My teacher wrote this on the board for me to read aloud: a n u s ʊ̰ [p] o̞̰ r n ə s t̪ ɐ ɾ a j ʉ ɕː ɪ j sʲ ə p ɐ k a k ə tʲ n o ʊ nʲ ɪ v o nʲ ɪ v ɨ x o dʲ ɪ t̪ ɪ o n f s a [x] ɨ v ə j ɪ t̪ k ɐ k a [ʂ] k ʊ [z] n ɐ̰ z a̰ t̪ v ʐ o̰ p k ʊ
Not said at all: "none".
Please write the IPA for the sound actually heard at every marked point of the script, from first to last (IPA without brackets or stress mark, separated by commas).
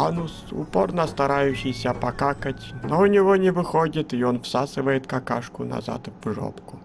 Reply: p, s, ʂ, none